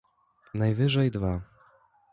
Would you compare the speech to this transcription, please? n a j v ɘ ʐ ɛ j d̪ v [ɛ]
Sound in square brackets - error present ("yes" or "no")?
yes